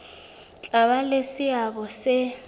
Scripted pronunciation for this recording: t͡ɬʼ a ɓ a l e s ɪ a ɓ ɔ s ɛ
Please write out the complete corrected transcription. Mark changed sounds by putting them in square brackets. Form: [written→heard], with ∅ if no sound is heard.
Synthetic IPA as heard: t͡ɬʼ a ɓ a l e s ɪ a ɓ ɔ s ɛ